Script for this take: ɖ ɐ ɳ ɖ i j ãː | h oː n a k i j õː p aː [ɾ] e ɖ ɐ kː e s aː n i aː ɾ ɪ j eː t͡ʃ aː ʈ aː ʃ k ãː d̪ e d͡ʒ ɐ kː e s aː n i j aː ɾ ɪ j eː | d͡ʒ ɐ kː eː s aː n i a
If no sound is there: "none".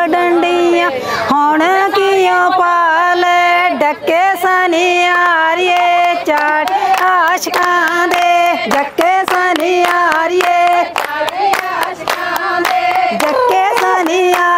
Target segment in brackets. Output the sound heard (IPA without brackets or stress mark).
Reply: l